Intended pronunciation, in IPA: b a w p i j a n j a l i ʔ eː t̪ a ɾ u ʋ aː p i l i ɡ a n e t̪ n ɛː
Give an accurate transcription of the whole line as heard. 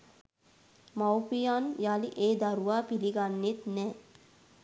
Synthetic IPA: m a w p i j a n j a l i ʔ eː d̪ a ɾ u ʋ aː p i l i ɡ a nː e t̪ n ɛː